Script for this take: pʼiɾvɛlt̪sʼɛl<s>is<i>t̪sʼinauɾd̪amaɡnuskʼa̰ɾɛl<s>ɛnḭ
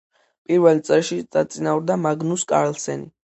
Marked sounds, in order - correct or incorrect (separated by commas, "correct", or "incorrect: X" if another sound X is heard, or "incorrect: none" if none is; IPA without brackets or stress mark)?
incorrect: ʃ, incorrect: a, correct